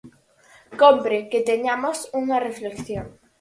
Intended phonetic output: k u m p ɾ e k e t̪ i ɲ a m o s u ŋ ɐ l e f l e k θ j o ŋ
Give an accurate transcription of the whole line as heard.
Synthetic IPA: k o m p ɾ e k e t̪ e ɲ a m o s u ŋ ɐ r e f l e k θ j o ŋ

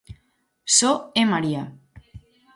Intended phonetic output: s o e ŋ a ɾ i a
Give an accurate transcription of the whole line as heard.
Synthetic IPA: s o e m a ɾ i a

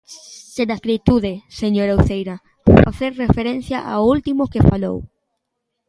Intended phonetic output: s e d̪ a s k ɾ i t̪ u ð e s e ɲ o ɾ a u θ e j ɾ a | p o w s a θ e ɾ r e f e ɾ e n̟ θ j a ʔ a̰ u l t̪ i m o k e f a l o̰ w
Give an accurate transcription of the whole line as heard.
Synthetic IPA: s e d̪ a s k ɾ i t̪ u ð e s e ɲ o ɾ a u θ e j ɾ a | p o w f a θ e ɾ r e f e ɾ e n̟ θ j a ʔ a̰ u l t̪ i m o k e f a l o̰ w

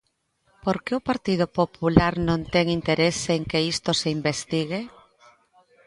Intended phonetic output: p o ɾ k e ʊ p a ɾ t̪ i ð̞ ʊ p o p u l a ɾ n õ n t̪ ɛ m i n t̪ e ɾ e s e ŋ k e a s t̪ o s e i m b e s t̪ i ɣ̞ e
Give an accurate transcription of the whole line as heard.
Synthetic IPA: p o ɾ k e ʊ p a ɾ t̪ i ð̞ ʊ p o p u l a ɾ n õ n t̪ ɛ ŋ i n t̪ e ɾ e s e ŋ k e i s t̪ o s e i m b e s t̪ i ɣ̞ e

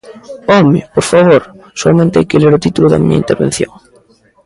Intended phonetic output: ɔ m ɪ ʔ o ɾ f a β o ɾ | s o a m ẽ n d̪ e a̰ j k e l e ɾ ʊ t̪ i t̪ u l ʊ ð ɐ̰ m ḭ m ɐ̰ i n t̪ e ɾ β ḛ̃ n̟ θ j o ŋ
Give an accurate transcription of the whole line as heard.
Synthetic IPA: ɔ m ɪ p o ɾ f a β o ɾ | s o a m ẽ n t̪ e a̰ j k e l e ɾ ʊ t̪ i t̪ u l ʊ ð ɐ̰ m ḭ ɲ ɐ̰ i n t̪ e ɾ β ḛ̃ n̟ θ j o ŋ

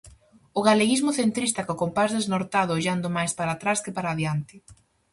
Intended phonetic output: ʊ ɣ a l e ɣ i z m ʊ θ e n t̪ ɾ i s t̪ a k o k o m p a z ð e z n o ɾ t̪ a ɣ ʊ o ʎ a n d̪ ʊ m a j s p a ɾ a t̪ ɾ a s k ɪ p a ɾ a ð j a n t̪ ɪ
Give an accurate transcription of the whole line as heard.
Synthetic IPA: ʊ ɣ a l e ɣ i z m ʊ θ e n t̪ ɾ i s t̪ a k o k o m p a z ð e z n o ɾ t̪ a ð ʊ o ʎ a n d̪ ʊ m a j s p a ɾ a t̪ ɾ a s k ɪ p a ɾ a ð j a n t̪ ɪ

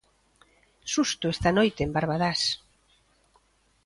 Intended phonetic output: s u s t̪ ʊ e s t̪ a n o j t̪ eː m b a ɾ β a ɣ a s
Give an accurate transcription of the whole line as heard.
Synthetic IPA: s u s t̪ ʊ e s t̪ a n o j t̪ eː m b a ɾ β a ð a s

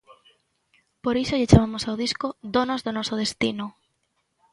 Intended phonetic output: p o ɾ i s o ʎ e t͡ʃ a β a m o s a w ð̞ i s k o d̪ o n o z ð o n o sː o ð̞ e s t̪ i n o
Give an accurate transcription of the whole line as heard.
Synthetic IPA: p o ɾ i s o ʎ e t͡ʃ a β a m o s a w ð̞ i s k o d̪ o n o z ð o n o s o ð̞ e s t̪ i n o

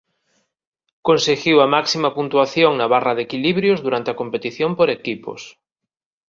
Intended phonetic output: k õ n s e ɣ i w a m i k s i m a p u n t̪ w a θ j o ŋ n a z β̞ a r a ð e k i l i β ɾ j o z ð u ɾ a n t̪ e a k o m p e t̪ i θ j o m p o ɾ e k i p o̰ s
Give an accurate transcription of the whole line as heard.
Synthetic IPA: k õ n s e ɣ i w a m a k s i m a p u n t̪ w a θ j o ŋ n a β̞ a r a ð e k i l i β ɾ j o z ð u ɾ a n t̪ e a k o m p e t̪ i θ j o m p o ɾ e k i p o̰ s

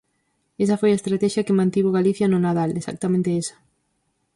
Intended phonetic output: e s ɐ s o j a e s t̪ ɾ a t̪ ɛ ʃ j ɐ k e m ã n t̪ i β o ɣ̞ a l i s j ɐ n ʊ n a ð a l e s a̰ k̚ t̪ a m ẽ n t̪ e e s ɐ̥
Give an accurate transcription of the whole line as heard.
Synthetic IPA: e s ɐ f o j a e s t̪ ɾ a t̪ ɛ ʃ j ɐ k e m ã n t̪ i β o ɣ̞ a l i θ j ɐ n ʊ n a ð a l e s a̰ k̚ t̪ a m ẽ n t̪ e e s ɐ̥

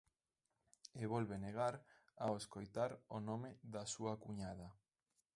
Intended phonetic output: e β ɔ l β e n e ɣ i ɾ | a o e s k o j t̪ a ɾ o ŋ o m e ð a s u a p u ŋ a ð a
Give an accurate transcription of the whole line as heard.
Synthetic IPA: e β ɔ l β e n e ɣ a ɾ | a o e s k o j t̪ a ɾ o n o m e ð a s u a k u ɲ a ð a

